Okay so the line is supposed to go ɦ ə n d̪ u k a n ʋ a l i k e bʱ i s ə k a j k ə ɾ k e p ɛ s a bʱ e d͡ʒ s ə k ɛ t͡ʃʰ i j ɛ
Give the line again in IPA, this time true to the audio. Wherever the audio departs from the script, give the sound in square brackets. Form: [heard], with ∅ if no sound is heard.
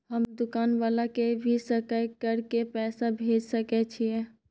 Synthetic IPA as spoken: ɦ ə [m] d̪ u k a n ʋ a l [a] k e bʱ i s ə k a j k ə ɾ k e p ɛ s a bʱ e d͡ʒ s ə k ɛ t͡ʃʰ i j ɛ